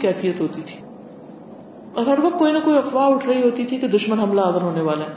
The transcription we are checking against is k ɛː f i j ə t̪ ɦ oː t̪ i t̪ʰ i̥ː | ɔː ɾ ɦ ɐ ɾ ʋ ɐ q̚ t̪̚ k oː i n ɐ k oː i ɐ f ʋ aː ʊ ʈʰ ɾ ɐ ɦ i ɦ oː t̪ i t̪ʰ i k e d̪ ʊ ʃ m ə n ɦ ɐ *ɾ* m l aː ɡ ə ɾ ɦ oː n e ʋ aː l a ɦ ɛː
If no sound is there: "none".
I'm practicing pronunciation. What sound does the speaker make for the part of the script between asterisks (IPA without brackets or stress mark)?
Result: none